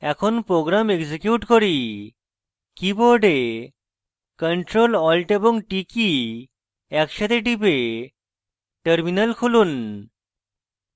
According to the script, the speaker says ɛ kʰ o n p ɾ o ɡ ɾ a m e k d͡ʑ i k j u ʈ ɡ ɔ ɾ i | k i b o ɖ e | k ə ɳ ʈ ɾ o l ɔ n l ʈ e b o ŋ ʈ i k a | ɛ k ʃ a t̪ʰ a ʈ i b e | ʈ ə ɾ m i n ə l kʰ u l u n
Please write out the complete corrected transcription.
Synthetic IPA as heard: ɛ kʰ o n p ɾ o ɡ ɾ a m e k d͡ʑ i k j u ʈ k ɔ ɾ i | k i b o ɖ e | k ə ɳ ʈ ɾ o l ɔ l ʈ e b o ŋ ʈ i k i | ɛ k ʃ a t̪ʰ e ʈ i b e | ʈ ə ɾ m i n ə l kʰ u l u n